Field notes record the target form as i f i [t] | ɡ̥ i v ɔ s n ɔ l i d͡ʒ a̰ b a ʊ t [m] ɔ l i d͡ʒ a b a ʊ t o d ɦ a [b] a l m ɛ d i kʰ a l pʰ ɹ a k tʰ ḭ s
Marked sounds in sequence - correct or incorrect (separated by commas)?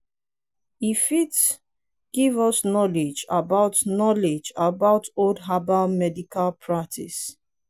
correct, incorrect, correct